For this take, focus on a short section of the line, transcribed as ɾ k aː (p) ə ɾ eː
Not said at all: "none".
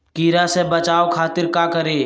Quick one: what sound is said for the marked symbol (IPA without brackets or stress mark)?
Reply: k